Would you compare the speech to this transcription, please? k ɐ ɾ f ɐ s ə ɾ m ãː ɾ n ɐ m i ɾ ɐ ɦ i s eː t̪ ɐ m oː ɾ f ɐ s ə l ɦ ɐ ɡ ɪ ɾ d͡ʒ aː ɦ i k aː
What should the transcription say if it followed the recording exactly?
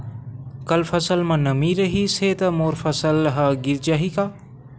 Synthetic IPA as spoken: k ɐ l f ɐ s ə l m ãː n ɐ m i ɾ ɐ ɦ i s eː t̪ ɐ m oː ɾ f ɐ s ə l ɦ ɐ ɡ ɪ ɾ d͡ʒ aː ɦ i k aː